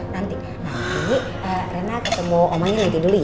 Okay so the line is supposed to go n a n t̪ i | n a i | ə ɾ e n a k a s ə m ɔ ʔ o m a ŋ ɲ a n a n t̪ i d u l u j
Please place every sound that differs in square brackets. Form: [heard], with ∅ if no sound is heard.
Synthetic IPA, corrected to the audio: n a n t̪ i | n a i | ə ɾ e n a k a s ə m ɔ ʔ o m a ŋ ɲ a n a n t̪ i d u l u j

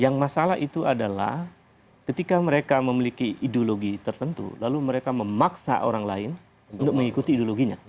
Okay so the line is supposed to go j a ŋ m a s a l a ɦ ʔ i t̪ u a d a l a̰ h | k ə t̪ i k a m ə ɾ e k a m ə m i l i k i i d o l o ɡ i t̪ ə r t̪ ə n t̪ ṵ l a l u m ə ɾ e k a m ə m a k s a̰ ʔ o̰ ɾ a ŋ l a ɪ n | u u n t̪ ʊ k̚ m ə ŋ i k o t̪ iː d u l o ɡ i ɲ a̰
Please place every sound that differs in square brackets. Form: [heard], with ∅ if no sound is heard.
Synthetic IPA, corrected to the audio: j a ŋ m a s a l a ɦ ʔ i t̪ u a d a l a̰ h | k ə t̪ i k a m ə ɾ e k a m ə m i l i k i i d o l o ɡ i t̪ ə r t̪ ə n t̪ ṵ l a l u m ə ɾ e k a m ə m a k s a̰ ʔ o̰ ɾ a ŋ l a ɪ n | u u n t̪ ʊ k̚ m ə ŋ i k [u] t̪ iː d [o] l o ɡ i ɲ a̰

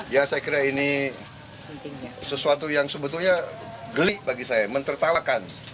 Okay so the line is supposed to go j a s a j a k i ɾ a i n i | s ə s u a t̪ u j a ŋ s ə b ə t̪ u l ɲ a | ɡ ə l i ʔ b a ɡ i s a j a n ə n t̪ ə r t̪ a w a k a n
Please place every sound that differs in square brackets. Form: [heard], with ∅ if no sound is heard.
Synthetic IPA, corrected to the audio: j a s a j a k i ɾ a i n i | s ə s u a t̪ u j a ŋ s ə b ə t̪ u l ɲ a | ɡ ə l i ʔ b a ɡ i s a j a [m] ə n t̪ ə r t̪ a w a k a n

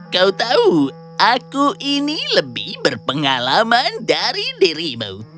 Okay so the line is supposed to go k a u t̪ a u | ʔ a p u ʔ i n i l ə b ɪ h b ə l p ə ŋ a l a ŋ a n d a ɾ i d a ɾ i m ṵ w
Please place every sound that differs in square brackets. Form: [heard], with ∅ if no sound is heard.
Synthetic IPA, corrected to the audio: k a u t̪ a u | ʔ a [k] u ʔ i n i l ə b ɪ h b ə [r] p ə ŋ a l a [m] a n d a ɾ i d [i] ɾ i m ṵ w

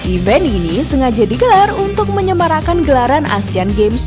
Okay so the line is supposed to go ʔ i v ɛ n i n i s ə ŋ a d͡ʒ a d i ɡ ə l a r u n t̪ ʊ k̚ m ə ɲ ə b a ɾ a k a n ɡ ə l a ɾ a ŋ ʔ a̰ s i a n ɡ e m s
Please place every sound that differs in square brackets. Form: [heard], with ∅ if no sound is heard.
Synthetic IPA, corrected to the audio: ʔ i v ɛ n i n i s ə ŋ a d͡ʒ a d i ɡ ə l a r u n t̪ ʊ k̚ m ə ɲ ə [m] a ɾ a k a n ɡ ə l a ɾ a [n] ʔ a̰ s i a n ɡ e m s

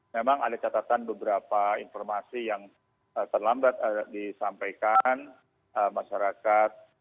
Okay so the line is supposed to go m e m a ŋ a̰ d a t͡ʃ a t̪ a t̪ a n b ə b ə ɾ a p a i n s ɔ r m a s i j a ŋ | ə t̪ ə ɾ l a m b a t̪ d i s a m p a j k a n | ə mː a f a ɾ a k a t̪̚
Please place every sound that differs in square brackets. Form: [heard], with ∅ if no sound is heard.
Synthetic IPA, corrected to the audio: m e m a ŋ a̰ d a t͡ʃ a t̪ a t̪ a n b ə b ə ɾ a p a i n [f] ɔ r m a s i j a ŋ | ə t̪ ə [r] l a m b a t̪ d i s a m p a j k a n | ə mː a [ʃ] a ɾ a k a t̪̚

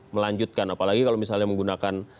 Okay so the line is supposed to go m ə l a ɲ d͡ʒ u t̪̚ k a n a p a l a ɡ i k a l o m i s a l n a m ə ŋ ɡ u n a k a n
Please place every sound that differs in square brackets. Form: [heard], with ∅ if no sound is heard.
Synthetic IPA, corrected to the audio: m ə l a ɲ d͡ʒ u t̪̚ k a n a p a l a ɡ i k a l o m i s a l [ɲ] a m ə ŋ ɡ u n a k a n

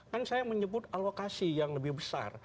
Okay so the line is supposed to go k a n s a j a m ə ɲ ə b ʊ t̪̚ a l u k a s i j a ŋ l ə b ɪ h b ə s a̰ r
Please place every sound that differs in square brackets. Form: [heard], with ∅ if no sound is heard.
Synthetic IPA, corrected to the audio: k a n s a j a m ə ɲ ə b ʊ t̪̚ a l [o] k a s i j a ŋ l ə b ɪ h b ə s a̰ r

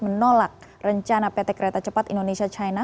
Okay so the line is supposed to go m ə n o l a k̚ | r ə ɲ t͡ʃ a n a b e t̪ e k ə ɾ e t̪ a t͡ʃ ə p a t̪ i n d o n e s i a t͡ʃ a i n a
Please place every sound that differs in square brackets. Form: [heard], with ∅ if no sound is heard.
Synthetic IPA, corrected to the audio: m ə n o l a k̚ | r ə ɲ t͡ʃ a n a [p] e t̪ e k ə ɾ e t̪ a t͡ʃ ə p a t̪ i n d o n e s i a t͡ʃ a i n a

